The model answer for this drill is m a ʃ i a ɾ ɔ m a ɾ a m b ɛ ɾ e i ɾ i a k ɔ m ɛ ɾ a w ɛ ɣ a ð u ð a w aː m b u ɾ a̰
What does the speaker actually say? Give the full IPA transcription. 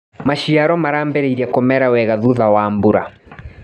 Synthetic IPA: m a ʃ i a ɾ ɔ m a ɾ a m b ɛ ɾ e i ɾ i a k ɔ m ɛ ɾ a w ɛ ɣ a ð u ð a w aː m b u ɾ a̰